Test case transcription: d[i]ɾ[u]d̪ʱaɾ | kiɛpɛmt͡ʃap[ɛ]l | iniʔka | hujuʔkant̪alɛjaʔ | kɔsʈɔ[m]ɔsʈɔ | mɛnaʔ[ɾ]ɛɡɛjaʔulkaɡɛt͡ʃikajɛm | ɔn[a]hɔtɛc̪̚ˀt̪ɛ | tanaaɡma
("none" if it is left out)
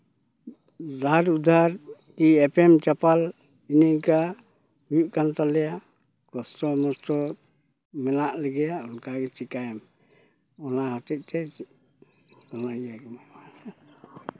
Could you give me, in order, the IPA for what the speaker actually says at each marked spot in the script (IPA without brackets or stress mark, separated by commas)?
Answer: a, u, a, m, l, a